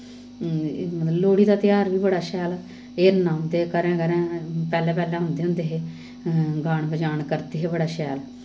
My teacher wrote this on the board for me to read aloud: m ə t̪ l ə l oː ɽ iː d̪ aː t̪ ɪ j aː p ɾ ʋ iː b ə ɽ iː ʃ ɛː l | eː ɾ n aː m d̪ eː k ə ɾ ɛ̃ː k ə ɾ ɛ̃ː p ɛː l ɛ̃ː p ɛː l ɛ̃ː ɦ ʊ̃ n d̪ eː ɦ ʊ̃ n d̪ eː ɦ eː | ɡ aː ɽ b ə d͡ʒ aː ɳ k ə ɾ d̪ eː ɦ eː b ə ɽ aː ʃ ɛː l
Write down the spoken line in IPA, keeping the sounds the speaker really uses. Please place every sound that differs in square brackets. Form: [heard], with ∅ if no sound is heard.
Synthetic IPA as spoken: m ə t̪ l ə l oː ɽ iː d̪ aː t̪ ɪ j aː [∅] ɾ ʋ iː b ə ɽ [aː] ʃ ɛː l | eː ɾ n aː m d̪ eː k ə ɾ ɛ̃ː k ə ɾ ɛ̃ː p ɛː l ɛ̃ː p ɛː l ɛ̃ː ɦ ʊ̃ n d̪ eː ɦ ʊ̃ n d̪ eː ɦ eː | ɡ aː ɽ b ə d͡ʒ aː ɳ k ə ɾ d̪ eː ɦ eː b ə ɽ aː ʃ ɛː l